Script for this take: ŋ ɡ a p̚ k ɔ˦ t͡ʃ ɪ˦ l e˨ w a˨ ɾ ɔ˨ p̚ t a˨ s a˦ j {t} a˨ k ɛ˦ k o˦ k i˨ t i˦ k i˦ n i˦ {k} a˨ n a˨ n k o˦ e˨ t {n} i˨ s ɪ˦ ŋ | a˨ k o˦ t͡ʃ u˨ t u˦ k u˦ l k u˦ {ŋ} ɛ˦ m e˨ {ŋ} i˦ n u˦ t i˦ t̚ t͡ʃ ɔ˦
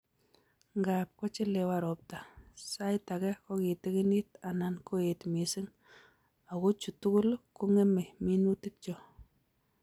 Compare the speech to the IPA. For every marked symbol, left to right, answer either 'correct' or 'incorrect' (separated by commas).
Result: correct, incorrect, incorrect, correct, incorrect